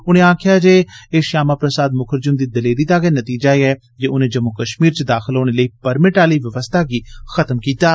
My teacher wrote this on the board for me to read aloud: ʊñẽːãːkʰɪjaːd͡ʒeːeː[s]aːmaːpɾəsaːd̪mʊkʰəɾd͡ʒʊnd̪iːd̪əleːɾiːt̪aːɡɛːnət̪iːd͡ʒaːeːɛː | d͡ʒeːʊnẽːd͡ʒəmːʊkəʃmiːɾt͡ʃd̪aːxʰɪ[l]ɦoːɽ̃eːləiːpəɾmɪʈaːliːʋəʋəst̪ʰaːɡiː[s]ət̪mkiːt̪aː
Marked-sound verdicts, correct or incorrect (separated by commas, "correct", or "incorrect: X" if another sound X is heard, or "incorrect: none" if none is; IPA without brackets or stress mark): incorrect: ʃ, correct, incorrect: x